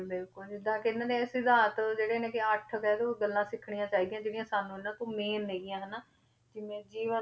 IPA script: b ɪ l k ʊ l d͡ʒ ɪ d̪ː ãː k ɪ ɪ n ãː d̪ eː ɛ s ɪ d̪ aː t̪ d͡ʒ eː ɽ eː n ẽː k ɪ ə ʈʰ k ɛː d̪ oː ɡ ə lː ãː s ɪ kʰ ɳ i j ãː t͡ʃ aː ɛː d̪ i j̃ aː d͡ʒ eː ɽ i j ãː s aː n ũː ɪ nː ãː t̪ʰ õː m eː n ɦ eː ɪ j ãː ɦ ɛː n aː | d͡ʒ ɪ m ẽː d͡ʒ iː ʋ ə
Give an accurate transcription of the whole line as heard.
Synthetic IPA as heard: b ɪ l k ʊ l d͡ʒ ɪ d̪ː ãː k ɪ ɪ n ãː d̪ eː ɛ s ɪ d̪ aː t̪ d͡ʒ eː ɽ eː n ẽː k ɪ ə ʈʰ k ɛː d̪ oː ɡ ə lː ãː s ɪ kʰ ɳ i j ãː t͡ʃ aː iː d̪ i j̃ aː d͡ʒ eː ɽ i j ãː s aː n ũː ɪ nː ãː t̪ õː m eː n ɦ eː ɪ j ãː ɦ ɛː n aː | d͡ʒ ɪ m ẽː d͡ʒ iː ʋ ə

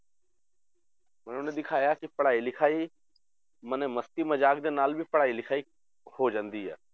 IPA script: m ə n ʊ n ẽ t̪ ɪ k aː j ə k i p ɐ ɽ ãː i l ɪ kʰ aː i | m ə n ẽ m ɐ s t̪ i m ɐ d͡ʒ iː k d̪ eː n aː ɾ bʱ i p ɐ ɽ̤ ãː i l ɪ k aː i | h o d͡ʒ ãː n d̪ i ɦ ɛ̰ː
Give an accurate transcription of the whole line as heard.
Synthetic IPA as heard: m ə n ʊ n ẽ d̪ ɪ kʰ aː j a k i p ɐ ɽ aː i l ɪ kʰ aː i | m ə n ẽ m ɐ s t̪ i m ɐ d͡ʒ aː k d̪ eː n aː l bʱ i p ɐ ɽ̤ aː i l ɪ kʰ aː i | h o d͡ʒ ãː n d̪ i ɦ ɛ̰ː

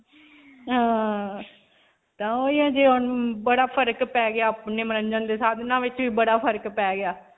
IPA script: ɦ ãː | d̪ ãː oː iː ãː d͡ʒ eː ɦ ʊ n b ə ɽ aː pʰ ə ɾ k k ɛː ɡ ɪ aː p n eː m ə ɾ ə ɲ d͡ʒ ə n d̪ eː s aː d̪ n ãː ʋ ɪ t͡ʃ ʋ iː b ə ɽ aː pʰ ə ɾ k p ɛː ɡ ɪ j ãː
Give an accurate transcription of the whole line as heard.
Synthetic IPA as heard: ɦ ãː | t̪ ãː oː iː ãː d͡ʒ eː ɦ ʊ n b ə ɽ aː pʰ ə ɾ k p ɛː ɡ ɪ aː p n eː m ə ɾ ə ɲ d͡ʒ ə n d̪ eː s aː d̪ n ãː ʋ ɪ t͡ʃ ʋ iː b ə ɽ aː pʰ ə ɾ k p ɛː ɡ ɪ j aː

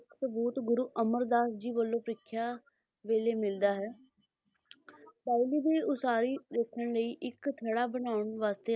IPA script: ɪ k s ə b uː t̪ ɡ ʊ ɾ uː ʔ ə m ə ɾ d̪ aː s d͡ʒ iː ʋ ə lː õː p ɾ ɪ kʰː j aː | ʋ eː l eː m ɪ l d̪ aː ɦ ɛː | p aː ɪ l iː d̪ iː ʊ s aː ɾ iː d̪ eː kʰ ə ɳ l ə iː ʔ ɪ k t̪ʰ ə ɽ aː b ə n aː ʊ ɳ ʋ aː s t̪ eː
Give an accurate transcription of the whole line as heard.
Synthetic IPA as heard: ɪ k s ə b uː t̪ ɡ ʊ ɾ uː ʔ ə m ə ɾ d̪ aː s d͡ʒ iː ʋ ə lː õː p ɾ ɪ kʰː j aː | ʋ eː l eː m ɪ l d̪ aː ɦ ɛː | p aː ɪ l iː d̪ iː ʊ s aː ɾ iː d̪ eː kʰ ə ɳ l ə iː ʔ ɪ k t̪ʰ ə ɽ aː b ə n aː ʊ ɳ ʋ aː s t̪ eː

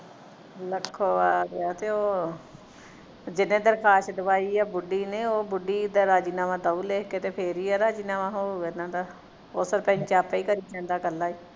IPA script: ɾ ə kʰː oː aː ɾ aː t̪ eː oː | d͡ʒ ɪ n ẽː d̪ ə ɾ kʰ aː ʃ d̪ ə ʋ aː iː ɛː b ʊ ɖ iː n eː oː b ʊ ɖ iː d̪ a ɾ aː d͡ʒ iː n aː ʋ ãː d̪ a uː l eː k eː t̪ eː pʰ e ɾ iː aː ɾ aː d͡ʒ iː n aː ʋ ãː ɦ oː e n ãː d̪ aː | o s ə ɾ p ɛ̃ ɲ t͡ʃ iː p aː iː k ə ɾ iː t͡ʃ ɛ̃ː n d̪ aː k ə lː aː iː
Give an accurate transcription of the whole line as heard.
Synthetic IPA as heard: l ə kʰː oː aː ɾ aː t̪ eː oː | d͡ʒ ɪ n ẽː d̪ ə ɾ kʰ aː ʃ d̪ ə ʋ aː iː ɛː b ʊ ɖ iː n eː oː b ʊ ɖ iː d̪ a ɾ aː d͡ʒ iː n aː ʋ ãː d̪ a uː l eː k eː t̪ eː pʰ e ɾ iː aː ɾ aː d͡ʒ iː n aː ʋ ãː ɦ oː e n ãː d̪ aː | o s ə ɾ p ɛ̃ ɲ t͡ʃ aː p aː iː k ə ɾ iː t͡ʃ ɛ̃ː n d̪ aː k ə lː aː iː

